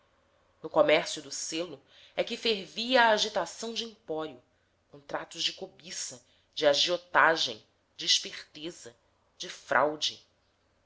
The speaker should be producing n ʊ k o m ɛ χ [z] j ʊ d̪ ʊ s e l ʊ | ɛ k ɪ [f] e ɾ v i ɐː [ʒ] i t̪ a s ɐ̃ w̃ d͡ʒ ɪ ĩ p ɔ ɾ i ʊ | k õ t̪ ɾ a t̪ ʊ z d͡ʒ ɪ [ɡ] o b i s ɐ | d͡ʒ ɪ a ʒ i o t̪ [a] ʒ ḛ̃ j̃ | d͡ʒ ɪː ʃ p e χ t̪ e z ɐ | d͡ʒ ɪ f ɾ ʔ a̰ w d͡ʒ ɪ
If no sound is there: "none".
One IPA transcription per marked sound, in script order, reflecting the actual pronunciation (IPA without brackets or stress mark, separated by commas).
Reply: s, f, ʒ, k, a